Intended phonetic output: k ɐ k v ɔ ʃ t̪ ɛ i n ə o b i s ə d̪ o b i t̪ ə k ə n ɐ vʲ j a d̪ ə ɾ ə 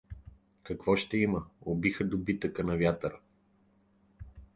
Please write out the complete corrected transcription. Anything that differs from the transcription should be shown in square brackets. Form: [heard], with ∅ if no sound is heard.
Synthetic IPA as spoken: k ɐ k v ɔ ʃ t̪ ɛ i [m] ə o b i [x] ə d̪ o b i t̪ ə k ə n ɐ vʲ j a [t̪] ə ɾ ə

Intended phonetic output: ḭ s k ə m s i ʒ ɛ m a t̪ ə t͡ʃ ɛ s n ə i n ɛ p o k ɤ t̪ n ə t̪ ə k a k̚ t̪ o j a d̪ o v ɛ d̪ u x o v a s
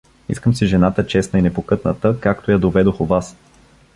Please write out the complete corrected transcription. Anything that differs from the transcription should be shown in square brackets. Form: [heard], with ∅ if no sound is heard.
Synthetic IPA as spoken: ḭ s k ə m s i ʒ ɛ [n] a t̪ ə t͡ʃ ɛ s n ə i n ɛ p o k ɤ t̪ n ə t̪ ə k a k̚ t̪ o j a d̪ o v ɛ d̪ [o] x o v a s

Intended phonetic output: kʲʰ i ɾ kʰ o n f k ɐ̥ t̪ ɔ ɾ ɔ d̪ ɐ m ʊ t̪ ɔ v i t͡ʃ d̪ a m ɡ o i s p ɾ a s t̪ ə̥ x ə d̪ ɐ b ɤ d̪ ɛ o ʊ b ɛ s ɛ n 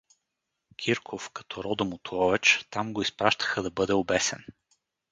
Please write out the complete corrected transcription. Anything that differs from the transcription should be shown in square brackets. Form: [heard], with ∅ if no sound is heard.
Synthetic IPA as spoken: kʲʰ i ɾ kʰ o [∅] f k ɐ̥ t̪ ɔ ɾ ɔ d̪ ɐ m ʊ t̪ ɔ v [ɛ] t͡ʃ [t̪] a m ɡ o i s p ɾ a [ʃ] t̪ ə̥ x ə d̪ ɐ b ɤ d̪ ɛ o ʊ b ɛ s ɛ n

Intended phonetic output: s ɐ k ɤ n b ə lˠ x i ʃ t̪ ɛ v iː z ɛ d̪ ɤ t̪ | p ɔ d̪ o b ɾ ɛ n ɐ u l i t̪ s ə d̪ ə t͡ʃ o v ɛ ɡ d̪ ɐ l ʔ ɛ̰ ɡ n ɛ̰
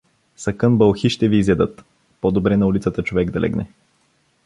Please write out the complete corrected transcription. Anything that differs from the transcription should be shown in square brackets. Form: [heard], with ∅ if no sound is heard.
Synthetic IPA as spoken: s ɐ k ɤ n b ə lˠ x i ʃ t̪ ɛ v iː z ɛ d̪ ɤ t̪ | p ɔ d̪ o b ɾ ɛ n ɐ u l i t̪ s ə [t̪] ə t͡ʃ o v ɛ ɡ d̪ ɐ l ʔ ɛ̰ ɡ n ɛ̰

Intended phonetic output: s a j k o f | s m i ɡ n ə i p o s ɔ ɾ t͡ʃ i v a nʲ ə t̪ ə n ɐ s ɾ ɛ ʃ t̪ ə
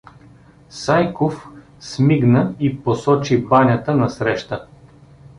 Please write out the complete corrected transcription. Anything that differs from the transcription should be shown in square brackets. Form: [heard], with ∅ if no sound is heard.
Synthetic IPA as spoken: s a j k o f | s m i ɡ n ə i p o s ɔ [∅] t͡ʃ i [b] a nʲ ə t̪ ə n ɐ s ɾ ɛ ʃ t̪ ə

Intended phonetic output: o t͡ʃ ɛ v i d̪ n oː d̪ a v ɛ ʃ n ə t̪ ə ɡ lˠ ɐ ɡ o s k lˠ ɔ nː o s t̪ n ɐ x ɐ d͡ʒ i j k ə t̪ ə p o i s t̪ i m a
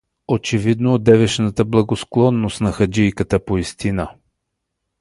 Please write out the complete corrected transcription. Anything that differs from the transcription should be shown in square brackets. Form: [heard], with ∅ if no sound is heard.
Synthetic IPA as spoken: o t͡ʃ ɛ v i d̪ n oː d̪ [ɛ] v ɛ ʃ n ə t̪ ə [b] lˠ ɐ ɡ o s k lˠ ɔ nː o s t̪ n ɐ x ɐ d͡ʒ i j k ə t̪ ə p o i s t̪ i [n] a

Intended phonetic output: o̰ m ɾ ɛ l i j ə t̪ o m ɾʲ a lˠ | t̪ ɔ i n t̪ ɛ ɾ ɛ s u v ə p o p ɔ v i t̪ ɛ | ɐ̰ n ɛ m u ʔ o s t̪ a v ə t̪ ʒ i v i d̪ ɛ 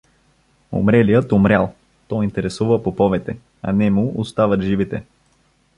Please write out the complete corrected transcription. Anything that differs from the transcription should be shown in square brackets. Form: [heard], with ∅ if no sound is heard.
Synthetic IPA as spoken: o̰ m ɾ ɛ l i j ə t̪ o m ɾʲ a lˠ | t̪ ɔ i n t̪ ɛ ɾ ɛ s u v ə p o p ɔ v [ɛ] t̪ ɛ | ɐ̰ n ɛ m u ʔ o s t̪ a v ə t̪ ʒ i v i [t̪] ɛ

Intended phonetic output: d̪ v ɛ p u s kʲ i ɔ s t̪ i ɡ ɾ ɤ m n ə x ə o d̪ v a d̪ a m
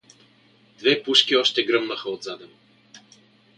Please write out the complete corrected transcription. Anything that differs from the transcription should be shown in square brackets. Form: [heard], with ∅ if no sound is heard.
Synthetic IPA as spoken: d̪ v ɛ p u [ʃ] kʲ i ɔ [ʃ] t̪ [ɛ] ɡ ɾ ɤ m n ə x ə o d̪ [z] a d̪ [ɛ] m

